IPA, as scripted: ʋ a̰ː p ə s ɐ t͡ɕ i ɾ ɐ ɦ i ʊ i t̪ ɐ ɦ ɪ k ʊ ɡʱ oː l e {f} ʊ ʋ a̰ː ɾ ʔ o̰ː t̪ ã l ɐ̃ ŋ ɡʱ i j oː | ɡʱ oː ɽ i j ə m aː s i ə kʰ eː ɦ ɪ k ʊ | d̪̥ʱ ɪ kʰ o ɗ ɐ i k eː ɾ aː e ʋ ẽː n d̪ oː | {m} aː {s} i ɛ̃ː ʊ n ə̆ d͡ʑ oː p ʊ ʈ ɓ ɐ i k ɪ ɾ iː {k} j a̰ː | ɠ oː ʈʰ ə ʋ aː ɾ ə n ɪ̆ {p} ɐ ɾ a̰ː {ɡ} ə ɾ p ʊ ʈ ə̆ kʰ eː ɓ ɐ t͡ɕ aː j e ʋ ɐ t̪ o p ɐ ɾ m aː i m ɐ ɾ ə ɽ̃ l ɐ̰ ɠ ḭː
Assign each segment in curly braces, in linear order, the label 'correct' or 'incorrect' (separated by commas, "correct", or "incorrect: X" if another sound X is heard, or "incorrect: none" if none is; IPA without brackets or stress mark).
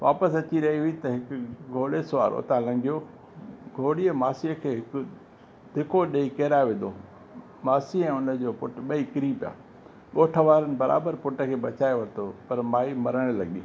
incorrect: s, correct, correct, incorrect: p, incorrect: b, incorrect: b